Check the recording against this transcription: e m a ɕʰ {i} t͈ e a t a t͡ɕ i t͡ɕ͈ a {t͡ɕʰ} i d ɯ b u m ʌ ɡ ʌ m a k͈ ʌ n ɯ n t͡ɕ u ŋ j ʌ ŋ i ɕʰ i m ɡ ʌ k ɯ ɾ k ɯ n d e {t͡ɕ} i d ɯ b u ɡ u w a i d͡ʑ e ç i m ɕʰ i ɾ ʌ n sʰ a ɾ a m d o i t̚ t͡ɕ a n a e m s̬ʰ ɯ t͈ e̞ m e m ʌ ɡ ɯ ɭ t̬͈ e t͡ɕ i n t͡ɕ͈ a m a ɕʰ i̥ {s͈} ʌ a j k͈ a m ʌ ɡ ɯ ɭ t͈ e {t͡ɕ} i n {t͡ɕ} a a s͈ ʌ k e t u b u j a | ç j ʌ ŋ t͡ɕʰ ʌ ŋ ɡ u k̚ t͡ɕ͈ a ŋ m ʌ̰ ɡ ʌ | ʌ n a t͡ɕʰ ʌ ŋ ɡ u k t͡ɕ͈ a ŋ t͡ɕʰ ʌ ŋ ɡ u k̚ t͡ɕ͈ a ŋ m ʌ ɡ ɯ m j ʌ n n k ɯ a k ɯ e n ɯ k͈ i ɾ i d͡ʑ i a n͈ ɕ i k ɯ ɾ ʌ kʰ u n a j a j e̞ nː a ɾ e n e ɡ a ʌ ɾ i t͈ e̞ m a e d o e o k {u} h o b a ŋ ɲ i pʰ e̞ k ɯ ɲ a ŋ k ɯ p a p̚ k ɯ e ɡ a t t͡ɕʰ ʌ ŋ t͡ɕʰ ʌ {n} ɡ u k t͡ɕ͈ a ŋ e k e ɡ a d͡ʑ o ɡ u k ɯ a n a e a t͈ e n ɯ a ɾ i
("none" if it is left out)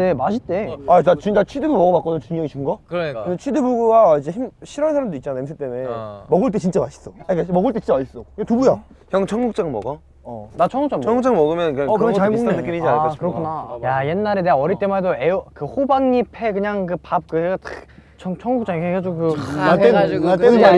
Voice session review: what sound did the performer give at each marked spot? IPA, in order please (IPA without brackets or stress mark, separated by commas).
i, t͡ɕʰ, t͡ɕʰ, s͈, t͡ɕ, t͡ɕ, ɯ, ŋ